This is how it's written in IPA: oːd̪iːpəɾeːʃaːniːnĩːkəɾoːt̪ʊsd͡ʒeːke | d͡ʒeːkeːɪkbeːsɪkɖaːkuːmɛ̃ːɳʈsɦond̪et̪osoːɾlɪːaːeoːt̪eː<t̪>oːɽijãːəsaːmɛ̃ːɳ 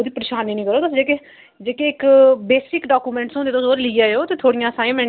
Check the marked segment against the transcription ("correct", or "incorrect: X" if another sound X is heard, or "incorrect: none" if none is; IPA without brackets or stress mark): incorrect: t̪ʰ